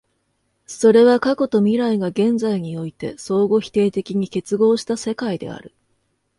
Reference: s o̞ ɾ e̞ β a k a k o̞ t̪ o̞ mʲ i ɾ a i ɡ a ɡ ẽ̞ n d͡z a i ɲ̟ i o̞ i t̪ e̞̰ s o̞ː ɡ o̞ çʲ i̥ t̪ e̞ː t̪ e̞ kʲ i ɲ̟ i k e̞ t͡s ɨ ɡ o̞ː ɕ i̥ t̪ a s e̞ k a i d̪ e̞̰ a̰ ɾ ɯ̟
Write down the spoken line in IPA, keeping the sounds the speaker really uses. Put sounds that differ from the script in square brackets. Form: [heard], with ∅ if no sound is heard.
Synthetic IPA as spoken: s o̞ ɾ e̞ β a k a k o̞ t̪ o̞ mʲ i ɾ a i ɡ a ɡ ẽ̞ n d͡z a i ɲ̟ i o̞ i t̪ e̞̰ s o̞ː ɡ o̞ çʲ i̥ t̪ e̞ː t̪ e̞ kʲ i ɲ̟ i k e̞ t͡s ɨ ɡ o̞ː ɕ i̥ t̪ a s e̞ k a i d̪ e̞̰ a̰ ɾ ɯ̟